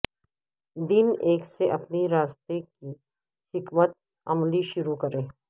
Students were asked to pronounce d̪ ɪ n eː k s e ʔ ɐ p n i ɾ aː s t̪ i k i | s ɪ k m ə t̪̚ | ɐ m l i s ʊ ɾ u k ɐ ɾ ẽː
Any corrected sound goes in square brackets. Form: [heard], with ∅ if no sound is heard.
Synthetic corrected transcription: d̪ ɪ n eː k s e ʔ ɐ p n i ɾ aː s t̪ [e] k i | [h] ɪ k m ə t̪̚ | ɐ m l i [ʃ] ʊ ɾ u k ɐ ɾ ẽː